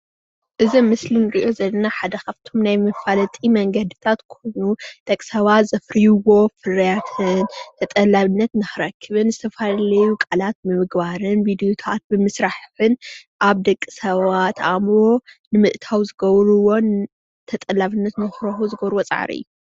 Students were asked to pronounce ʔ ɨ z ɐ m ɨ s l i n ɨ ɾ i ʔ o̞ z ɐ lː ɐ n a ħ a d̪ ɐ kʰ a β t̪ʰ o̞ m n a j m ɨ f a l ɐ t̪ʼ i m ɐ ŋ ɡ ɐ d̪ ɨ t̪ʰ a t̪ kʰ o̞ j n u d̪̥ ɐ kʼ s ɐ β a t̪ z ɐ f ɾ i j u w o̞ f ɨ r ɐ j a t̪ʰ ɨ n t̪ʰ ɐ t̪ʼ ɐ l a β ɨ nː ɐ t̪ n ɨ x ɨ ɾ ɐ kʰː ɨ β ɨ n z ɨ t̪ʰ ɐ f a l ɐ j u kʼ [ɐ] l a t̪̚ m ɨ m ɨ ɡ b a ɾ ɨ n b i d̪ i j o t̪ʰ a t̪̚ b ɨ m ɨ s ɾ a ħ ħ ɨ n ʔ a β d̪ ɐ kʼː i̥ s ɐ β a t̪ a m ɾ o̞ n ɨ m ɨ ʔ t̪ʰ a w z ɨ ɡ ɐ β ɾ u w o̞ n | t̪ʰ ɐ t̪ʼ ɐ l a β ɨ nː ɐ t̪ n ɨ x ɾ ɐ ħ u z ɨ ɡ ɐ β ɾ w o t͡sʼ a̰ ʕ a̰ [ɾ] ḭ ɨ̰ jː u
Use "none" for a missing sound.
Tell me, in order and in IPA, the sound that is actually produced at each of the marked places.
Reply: a, ɾ

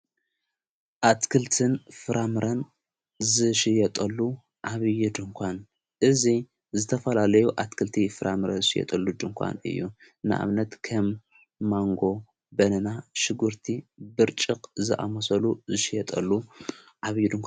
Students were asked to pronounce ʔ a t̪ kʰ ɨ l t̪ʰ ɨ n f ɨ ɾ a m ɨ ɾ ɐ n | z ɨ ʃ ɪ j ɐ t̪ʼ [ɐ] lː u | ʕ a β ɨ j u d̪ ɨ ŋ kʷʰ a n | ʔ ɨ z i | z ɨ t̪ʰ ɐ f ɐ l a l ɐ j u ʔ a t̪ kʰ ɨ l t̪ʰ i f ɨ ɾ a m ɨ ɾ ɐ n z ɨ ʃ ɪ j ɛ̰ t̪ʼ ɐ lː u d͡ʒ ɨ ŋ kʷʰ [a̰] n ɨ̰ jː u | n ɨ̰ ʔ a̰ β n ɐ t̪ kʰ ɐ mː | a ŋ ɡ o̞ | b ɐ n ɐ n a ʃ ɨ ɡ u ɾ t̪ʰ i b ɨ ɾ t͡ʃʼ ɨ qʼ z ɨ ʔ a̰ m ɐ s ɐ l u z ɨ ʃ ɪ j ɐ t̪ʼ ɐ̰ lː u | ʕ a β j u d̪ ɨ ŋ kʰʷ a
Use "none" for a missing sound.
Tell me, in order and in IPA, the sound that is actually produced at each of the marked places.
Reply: ɐ, a̰

